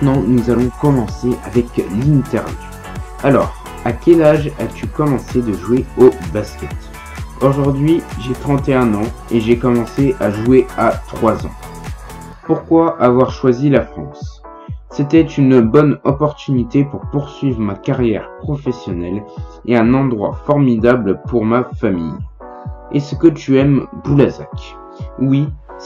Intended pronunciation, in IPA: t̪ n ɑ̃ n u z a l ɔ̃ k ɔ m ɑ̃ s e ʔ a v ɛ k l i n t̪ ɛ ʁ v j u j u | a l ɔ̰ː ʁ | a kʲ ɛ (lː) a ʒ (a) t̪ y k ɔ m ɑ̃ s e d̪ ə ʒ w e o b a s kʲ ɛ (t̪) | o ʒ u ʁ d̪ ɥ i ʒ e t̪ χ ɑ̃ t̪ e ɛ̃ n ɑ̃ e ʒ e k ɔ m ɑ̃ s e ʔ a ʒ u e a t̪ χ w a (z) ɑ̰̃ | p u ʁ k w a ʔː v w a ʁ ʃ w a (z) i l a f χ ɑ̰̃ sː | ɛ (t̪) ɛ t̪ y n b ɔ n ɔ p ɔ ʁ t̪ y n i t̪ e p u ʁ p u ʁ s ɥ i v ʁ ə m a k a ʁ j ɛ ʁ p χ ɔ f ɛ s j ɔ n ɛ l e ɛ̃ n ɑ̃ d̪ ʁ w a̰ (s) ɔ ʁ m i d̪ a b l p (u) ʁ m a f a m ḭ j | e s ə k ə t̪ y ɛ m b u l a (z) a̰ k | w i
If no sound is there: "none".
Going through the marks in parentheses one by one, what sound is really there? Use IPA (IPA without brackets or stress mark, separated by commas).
l, a, t̪, z, z, t̪, f, u, z